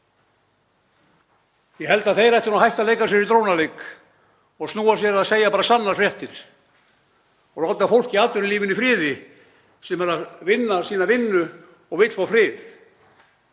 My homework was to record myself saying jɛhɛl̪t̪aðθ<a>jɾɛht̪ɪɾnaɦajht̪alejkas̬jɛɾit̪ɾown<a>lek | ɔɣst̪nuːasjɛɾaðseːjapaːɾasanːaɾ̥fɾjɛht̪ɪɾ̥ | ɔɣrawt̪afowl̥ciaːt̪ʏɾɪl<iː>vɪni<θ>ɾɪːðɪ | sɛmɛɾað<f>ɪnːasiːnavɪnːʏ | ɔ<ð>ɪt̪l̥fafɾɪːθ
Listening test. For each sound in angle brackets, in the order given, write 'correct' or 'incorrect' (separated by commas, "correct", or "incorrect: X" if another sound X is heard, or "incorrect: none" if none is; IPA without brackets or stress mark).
incorrect: e, correct, correct, incorrect: f, incorrect: v, incorrect: ɣ